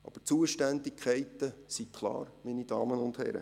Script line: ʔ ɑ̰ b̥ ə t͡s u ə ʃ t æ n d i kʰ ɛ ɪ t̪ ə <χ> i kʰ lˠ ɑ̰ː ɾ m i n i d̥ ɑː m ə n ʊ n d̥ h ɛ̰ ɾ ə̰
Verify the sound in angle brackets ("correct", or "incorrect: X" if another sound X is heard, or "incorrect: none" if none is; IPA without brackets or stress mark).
incorrect: s